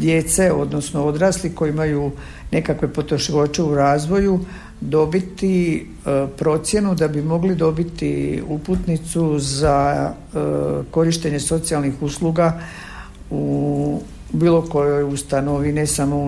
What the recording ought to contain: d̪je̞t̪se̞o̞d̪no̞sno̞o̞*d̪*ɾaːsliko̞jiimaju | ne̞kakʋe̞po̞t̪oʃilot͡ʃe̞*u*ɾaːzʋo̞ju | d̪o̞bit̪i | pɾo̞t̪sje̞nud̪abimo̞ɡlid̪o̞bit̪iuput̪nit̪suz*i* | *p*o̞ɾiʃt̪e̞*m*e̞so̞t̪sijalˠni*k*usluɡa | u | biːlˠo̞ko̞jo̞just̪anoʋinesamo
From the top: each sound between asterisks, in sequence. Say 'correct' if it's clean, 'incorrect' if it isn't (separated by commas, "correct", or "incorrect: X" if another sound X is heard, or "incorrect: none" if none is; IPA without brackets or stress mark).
correct, correct, incorrect: a, incorrect: k, incorrect: ɲ, incorrect: x